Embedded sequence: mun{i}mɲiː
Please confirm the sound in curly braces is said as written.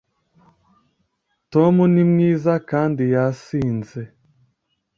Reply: yes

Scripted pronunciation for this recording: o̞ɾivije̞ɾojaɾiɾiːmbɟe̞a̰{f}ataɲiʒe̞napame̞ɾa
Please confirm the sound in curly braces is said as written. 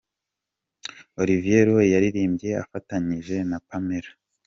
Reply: yes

